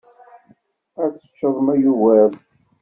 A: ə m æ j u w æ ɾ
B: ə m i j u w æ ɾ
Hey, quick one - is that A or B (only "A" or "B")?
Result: A